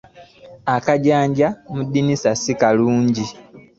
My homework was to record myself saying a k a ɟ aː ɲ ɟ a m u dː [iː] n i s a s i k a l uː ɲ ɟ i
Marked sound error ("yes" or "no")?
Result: yes